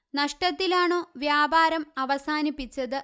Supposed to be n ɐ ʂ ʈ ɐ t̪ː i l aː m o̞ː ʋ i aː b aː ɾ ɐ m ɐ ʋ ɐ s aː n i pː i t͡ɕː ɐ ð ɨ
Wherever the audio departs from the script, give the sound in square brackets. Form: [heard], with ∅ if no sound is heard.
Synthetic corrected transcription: n ɐ ʂ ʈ ɐ t̪ː i l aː [ɳ] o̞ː ʋ [j] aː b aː ɾ ɐ m ɐ ʋ ɐ s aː n i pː i t͡ɕː ɐ ð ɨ